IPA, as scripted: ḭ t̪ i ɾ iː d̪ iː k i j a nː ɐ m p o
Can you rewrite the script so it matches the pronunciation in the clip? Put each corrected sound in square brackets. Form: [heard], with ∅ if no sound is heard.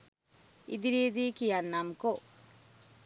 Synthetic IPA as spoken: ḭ [d̪] i ɾ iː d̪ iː k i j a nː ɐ m [k] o